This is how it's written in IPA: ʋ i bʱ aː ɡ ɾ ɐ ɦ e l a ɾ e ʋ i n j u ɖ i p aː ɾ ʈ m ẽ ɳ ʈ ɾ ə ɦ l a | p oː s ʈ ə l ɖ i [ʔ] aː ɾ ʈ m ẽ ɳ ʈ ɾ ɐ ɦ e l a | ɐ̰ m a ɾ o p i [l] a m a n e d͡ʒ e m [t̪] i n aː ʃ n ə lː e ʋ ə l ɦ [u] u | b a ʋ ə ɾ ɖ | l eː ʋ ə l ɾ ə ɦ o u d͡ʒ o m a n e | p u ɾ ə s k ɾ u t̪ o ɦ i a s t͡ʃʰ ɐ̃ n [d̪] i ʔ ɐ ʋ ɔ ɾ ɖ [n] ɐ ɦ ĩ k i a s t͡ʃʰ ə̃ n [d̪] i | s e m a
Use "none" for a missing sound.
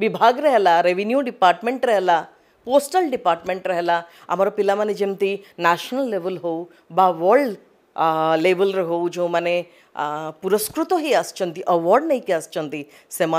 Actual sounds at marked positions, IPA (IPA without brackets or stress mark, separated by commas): p, l, t̪, o, t̪, n, t̪